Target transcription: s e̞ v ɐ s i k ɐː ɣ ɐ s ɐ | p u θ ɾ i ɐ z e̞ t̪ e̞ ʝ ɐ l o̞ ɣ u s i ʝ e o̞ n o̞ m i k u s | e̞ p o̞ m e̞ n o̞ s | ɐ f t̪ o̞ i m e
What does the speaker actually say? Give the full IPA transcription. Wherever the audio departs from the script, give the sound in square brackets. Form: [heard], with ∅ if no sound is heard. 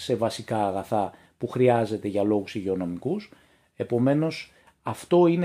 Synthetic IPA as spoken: s e̞ v ɐ s i k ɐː ɣ ɐ [θ] ɐ | p u [x] ɾ i ɐ z e̞ t̪ e̞ ʝ ɐ l o̞ ɣ u s i ʝ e o̞ n o̞ m i k u s | e̞ p o̞ m e̞ n o̞ s | ɐ f t̪ o̞ i [n] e